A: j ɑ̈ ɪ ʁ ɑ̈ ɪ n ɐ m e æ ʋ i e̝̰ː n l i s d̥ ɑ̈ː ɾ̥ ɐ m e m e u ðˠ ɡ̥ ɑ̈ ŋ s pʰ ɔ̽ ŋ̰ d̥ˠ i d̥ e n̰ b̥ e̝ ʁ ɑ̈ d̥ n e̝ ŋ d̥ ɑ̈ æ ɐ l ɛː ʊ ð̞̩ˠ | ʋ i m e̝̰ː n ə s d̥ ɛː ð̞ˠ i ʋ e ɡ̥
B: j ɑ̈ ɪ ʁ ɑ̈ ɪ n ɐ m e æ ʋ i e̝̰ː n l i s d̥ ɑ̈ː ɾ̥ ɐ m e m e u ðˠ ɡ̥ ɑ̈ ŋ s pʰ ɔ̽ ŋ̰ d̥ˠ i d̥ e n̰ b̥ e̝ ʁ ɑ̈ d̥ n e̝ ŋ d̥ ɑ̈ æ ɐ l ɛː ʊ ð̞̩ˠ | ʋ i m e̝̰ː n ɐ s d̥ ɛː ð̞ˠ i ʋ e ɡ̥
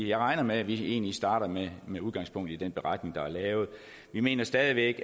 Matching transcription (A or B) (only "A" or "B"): B